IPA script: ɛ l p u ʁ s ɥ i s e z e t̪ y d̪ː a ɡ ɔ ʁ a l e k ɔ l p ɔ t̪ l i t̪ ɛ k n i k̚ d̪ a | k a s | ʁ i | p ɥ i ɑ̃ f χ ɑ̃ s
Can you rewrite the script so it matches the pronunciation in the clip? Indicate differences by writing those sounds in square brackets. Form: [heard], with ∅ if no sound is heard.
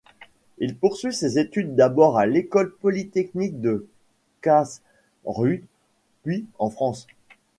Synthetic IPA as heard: [i] l p u ʁ s ɥ i s e z e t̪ y d̪ː a [b] ɔ ʁ a l e k ɔ l p ɔ [∅] l i t̪ ɛ k n i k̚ d̪ [ə] | k a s | ʁ [y] | p ɥ i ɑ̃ f χ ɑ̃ s

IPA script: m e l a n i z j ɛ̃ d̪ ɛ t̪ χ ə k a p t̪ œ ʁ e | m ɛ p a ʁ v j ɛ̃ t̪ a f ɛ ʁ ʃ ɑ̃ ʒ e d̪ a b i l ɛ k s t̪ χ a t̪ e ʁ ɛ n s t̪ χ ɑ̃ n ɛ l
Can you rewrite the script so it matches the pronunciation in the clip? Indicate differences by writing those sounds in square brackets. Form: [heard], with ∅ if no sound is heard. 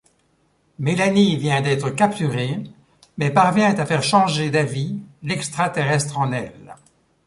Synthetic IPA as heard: m e l a n i [v] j ɛ̃ d̪ ɛ t̪ χ ə k a p t̪ [y] ʁ e | m ɛ p a ʁ v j ɛ̃ t̪ a f ɛ ʁ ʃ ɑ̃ ʒ e d̪ a [v] i l ɛ k s t̪ χ a t̪ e ʁ ɛ [∅] s t̪ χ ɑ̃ n ɛ l

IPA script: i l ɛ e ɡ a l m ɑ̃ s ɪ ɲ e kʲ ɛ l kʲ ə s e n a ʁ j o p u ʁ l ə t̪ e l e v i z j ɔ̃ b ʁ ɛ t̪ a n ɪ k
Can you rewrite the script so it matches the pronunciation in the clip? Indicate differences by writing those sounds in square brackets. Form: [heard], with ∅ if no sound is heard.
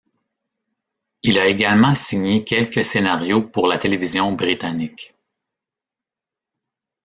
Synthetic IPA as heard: i l [a] e ɡ a l m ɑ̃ s [i] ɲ e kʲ ɛ l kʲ ə s e n a ʁ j o p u ʁ l [a] t̪ e l e v i z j ɔ̃ b ʁ [i] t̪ a n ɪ k

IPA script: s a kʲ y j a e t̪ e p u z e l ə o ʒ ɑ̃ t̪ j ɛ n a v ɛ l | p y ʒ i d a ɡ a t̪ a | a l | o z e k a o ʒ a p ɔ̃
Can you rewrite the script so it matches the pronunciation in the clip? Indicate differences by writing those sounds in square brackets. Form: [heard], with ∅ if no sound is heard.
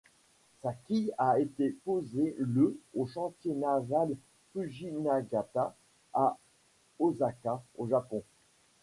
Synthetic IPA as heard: s a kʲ [i] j a e t̪ e p [o] z e l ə o [ʃ] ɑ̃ t̪ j [e] n a v [a] l | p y ʒ i [n] a ɡ a t̪ a | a [∅] | o z [a] k a o ʒ a p ɔ̃

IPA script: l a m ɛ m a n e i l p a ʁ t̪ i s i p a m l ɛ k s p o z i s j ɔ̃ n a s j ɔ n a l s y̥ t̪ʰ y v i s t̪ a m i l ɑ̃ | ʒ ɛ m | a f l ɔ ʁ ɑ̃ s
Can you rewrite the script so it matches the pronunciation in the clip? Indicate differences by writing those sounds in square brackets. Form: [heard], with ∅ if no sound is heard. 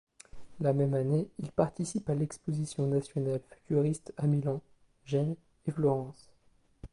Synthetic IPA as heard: l a m ɛ m a n e i l p a ʁ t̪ i s i p a [∅] l ɛ k s p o z i s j ɔ̃ n a s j ɔ n a l [f] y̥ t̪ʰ y [ʁ] i s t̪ a m i l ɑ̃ | ʒ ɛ [n] | [e] f l ɔ ʁ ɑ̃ s

